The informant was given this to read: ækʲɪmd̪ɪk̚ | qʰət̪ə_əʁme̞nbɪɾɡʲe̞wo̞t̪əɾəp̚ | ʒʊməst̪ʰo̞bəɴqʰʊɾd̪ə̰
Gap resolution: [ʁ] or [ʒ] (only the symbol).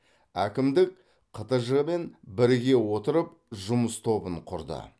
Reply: ʒ